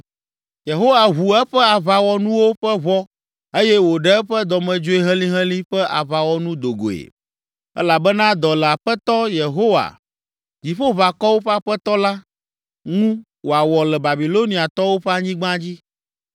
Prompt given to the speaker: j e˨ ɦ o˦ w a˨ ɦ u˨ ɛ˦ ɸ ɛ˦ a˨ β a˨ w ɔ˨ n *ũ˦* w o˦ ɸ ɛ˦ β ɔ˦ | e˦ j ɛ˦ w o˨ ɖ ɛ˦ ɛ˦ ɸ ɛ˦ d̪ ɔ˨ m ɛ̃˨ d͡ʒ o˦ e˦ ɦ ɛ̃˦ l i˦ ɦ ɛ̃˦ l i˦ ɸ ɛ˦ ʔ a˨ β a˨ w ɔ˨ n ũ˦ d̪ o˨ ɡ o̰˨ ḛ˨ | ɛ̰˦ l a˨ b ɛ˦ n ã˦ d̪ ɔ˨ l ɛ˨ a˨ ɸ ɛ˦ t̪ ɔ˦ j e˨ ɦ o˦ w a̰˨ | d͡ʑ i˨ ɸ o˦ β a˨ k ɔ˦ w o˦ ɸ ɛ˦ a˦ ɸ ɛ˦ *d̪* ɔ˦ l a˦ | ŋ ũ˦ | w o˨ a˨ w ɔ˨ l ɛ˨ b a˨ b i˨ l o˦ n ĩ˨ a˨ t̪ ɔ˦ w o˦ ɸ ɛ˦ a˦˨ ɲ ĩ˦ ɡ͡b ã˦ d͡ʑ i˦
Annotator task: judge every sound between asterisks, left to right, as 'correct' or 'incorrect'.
correct, incorrect: t̪

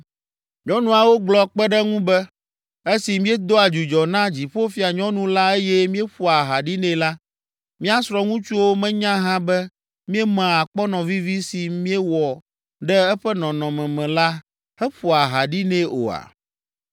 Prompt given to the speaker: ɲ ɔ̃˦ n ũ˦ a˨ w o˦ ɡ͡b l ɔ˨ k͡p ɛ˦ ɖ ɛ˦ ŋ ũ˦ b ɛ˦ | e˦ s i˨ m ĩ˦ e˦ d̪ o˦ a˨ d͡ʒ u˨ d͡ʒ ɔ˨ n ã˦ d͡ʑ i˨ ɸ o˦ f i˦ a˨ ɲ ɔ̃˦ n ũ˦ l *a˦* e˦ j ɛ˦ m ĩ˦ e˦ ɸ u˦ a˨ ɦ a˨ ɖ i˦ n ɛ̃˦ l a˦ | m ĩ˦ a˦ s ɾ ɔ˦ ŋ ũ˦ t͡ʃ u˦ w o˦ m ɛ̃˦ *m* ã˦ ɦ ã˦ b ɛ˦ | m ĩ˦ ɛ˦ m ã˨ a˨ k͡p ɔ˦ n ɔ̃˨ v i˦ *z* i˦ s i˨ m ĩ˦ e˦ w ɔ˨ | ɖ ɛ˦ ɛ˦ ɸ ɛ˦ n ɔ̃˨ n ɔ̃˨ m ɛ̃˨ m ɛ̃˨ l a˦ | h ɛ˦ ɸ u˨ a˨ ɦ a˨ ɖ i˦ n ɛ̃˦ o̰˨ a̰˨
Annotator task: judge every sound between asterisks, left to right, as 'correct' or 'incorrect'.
correct, incorrect: ɲ, incorrect: v

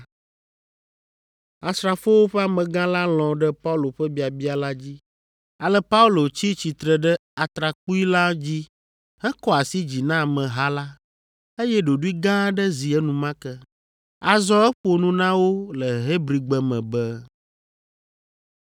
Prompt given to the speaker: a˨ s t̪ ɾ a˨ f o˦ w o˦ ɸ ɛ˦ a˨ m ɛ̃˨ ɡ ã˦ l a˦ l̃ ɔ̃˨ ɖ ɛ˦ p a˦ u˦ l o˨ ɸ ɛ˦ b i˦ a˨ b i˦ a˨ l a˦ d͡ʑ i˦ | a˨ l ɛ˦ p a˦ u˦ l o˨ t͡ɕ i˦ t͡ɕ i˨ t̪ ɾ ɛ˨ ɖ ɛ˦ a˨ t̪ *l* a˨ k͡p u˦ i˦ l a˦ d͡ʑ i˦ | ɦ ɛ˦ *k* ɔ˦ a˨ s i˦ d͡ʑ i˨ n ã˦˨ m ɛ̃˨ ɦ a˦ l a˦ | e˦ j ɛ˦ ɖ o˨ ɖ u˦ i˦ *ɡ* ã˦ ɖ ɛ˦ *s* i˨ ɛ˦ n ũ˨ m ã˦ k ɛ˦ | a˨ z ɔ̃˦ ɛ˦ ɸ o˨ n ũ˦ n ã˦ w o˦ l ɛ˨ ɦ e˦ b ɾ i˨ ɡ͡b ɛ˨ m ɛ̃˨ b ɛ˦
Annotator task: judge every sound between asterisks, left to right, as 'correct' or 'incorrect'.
incorrect: ɾ, correct, correct, incorrect: z

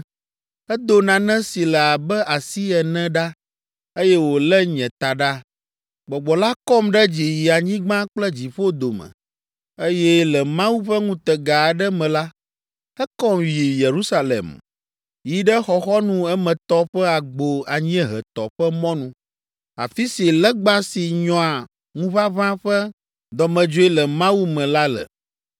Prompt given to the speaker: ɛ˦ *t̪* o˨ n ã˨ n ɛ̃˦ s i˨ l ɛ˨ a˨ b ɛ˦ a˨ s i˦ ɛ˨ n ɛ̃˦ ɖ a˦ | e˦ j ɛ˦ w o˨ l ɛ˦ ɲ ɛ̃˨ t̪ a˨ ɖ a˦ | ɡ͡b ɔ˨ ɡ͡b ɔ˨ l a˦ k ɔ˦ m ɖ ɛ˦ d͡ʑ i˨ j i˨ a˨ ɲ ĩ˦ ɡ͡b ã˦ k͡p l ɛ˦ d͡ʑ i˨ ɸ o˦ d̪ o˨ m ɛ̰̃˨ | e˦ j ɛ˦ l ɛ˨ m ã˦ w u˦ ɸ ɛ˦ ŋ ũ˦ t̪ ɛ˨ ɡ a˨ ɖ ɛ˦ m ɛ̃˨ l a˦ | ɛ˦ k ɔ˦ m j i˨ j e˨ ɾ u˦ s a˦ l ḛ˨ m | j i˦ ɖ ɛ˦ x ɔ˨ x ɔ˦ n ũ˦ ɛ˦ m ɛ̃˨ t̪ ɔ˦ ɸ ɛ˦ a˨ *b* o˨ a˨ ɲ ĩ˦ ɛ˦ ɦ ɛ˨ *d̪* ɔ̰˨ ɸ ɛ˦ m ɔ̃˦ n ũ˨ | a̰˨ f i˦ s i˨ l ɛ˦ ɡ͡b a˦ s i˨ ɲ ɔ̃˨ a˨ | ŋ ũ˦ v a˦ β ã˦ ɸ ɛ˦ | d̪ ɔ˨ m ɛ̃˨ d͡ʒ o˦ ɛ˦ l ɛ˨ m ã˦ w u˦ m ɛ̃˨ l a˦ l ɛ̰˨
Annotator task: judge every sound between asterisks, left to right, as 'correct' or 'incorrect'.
incorrect: d̪, incorrect: ɡ͡b, incorrect: t̪

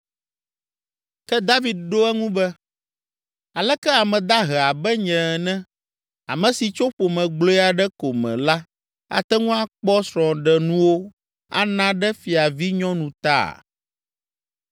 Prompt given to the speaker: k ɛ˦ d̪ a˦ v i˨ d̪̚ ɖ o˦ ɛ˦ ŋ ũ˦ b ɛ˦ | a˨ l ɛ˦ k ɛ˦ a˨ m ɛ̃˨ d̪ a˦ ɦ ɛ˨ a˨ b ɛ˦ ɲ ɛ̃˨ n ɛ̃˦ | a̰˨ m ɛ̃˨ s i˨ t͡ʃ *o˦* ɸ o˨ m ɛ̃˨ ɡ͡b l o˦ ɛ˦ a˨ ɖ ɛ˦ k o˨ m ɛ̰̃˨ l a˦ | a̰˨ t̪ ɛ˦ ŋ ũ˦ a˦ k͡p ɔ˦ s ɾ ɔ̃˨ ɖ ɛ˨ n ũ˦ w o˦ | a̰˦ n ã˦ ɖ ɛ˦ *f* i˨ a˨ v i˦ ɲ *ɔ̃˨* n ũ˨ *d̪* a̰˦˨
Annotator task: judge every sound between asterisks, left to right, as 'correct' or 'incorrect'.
correct, correct, incorrect: ɔ̃˦, incorrect: t̪

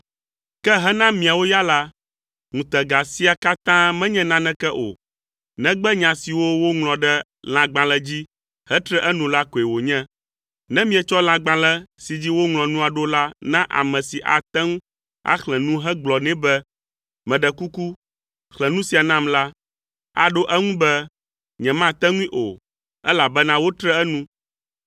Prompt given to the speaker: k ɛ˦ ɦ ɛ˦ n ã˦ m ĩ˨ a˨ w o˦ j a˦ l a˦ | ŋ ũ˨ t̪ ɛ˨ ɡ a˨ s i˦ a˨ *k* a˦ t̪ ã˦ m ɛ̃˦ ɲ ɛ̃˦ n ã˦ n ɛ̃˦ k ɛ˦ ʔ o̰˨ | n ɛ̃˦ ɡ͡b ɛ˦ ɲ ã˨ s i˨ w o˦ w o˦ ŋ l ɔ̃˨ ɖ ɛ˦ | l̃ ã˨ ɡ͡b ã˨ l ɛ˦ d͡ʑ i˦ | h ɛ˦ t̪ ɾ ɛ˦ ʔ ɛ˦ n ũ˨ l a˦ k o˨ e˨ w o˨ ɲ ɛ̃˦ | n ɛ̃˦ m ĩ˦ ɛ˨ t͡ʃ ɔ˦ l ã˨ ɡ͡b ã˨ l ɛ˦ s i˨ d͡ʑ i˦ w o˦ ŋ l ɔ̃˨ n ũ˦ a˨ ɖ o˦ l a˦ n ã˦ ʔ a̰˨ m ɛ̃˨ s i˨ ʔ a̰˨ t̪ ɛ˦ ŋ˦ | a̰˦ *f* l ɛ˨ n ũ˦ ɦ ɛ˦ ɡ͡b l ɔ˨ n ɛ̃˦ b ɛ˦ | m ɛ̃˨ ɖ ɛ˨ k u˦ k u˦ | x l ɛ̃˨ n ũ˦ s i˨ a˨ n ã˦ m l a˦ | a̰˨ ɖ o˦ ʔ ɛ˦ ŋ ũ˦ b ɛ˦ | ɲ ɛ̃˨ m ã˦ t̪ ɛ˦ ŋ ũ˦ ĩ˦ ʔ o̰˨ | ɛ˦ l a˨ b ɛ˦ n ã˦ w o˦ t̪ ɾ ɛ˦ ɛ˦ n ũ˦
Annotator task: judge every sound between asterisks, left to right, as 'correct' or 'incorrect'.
correct, incorrect: x

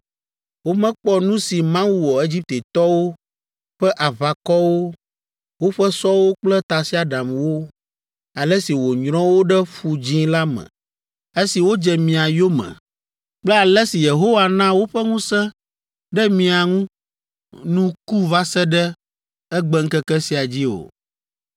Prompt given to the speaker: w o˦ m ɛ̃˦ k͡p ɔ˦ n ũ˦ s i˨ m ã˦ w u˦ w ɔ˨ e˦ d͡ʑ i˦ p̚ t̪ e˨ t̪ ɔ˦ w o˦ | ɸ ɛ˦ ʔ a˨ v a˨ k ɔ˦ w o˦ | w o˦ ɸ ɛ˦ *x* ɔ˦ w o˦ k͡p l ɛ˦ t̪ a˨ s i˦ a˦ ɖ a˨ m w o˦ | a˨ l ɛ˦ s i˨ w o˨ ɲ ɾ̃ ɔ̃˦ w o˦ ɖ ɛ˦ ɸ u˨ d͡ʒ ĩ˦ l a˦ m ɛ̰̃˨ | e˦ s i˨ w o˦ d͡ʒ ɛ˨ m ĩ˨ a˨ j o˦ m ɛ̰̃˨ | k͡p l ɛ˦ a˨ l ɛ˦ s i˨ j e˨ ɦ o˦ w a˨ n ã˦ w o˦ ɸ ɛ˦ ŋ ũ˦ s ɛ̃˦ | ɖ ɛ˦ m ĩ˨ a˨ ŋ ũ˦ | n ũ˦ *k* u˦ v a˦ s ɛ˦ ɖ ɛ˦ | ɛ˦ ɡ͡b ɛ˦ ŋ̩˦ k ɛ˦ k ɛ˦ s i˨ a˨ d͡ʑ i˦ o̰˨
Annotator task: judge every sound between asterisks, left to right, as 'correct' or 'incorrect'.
incorrect: s, correct

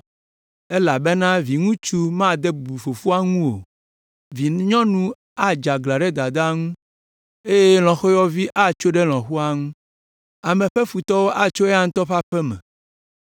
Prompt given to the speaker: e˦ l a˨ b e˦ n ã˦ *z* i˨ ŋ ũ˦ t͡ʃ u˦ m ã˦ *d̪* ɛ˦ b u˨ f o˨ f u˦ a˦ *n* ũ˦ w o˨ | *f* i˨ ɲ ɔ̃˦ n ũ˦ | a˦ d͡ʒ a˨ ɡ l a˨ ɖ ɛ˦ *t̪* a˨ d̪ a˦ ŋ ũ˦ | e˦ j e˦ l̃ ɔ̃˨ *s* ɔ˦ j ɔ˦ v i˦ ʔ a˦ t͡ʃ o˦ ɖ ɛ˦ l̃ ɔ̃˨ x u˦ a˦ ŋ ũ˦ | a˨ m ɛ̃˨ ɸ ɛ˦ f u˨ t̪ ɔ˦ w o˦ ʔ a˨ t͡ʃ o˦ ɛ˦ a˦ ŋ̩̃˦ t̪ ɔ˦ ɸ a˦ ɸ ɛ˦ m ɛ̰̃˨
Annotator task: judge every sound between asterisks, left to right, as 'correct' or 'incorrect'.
incorrect: v, correct, incorrect: ŋ, incorrect: v, incorrect: d̪, incorrect: x

